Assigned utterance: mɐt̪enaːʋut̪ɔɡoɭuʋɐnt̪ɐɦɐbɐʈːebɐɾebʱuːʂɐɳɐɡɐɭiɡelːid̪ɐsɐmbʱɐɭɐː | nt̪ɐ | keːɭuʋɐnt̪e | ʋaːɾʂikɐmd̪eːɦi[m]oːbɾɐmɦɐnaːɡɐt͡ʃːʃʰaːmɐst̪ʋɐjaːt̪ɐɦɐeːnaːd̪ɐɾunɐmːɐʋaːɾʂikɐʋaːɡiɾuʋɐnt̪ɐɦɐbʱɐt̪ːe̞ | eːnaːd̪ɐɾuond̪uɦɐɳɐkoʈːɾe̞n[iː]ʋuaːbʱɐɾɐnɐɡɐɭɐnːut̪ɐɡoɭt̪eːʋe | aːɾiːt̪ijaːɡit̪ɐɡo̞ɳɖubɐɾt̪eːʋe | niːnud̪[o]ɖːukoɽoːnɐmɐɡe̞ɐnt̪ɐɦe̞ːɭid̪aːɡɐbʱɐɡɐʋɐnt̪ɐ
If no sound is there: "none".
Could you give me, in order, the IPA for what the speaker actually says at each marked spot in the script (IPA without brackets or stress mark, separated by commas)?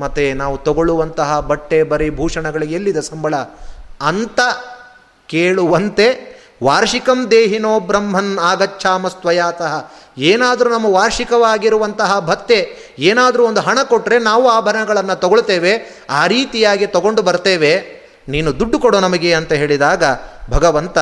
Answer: n, aː, u